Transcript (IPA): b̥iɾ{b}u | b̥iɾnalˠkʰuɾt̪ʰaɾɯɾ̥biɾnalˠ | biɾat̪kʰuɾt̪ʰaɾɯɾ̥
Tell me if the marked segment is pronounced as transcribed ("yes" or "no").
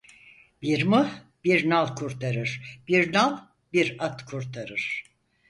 no